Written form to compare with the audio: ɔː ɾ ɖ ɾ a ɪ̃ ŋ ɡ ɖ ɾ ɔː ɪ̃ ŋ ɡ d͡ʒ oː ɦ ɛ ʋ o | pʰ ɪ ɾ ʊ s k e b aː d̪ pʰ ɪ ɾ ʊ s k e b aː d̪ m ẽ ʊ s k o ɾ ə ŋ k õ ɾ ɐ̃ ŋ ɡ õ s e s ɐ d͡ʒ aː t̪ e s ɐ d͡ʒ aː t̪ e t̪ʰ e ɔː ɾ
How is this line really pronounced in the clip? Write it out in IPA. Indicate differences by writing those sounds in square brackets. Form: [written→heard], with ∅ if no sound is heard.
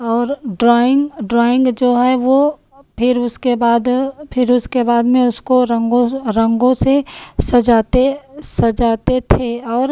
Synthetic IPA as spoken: ɔː ɾ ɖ ɾ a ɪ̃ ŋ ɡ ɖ ɾ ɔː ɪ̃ ŋ ɡ d͡ʒ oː ɦ ɛ ʋ o | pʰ ɪ ɾ ʊ s k e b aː d̪ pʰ ɪ ɾ ʊ s k e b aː d̪ m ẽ ʊ s k o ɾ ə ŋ [k→ɡ] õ ɾ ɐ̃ ŋ ɡ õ s e s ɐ d͡ʒ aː t̪ e s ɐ d͡ʒ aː t̪ e t̪ʰ e ɔː ɾ